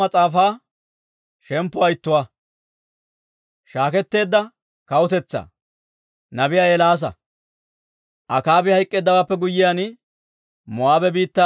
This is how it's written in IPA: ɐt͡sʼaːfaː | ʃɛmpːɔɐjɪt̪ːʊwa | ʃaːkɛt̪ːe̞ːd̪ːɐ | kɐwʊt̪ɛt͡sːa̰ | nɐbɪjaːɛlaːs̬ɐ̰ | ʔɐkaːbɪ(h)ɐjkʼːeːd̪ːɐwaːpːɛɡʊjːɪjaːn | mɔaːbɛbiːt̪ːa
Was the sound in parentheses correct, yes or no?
yes